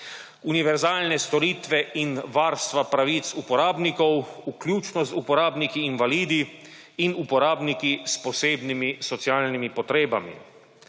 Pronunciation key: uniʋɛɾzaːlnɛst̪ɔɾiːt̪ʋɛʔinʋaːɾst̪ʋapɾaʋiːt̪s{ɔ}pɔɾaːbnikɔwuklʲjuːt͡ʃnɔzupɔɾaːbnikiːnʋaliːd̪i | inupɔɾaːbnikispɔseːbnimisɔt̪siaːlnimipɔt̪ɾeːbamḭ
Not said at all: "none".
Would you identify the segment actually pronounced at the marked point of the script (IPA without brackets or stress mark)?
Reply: u